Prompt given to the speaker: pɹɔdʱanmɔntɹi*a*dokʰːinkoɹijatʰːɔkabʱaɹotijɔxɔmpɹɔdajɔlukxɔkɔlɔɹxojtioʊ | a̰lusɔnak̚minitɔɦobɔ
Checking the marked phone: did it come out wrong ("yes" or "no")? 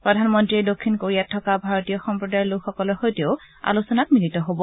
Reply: yes